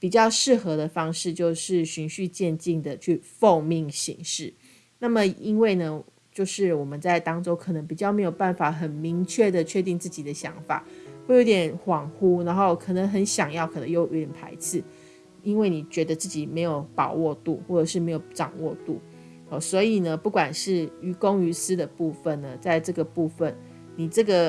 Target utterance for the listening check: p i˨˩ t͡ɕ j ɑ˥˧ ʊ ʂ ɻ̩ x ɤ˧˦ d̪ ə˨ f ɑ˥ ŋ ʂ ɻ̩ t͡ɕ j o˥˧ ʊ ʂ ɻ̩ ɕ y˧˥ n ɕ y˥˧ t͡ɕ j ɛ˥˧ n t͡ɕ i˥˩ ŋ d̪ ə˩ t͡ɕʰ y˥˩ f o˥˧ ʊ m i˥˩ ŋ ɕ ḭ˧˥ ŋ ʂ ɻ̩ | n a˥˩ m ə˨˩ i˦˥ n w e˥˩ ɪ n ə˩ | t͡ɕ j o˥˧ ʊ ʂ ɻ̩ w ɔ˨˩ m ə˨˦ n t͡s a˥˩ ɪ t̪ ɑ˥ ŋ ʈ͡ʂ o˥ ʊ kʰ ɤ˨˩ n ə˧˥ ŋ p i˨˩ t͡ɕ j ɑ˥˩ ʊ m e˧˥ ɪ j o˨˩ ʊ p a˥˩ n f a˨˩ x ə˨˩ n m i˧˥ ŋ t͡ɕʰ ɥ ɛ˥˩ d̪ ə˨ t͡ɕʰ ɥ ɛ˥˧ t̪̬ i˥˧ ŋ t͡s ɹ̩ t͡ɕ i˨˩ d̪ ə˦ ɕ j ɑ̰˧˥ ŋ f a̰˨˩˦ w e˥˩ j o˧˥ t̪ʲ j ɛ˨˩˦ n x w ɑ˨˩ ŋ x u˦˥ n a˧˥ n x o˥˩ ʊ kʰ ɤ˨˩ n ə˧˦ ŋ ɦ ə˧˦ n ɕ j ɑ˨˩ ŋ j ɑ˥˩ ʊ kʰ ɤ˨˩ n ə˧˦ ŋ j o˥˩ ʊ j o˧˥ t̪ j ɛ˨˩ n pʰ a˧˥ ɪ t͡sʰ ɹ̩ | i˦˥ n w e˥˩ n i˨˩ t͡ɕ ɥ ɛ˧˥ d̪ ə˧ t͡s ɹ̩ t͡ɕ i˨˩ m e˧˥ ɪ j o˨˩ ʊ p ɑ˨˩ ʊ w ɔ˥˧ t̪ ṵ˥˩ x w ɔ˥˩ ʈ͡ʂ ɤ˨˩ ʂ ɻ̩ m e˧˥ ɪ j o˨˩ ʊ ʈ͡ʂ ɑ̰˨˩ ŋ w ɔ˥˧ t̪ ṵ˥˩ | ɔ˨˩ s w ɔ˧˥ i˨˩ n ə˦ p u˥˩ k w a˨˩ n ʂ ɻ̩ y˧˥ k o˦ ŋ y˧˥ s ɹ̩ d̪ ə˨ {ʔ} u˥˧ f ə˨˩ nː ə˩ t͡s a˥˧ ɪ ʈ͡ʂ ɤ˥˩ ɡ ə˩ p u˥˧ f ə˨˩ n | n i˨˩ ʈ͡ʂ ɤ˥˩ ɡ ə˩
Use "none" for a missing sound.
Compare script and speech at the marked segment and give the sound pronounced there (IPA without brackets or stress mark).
p